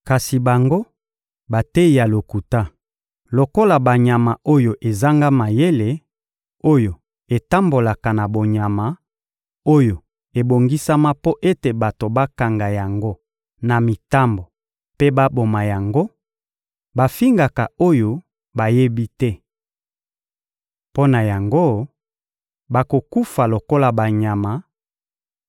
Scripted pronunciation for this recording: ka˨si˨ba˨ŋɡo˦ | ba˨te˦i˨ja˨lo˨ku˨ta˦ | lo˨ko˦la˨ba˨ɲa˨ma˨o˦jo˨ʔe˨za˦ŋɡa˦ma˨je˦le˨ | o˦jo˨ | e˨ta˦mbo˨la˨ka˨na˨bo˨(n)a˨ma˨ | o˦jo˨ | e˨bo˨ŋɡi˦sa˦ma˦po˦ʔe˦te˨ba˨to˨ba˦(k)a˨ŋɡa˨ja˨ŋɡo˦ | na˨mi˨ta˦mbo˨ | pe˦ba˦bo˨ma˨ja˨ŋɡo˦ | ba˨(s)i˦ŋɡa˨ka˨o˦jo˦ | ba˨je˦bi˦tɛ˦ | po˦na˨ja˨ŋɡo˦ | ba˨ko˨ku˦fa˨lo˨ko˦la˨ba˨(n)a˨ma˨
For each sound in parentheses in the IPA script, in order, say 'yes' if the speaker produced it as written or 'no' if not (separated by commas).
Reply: no, yes, no, no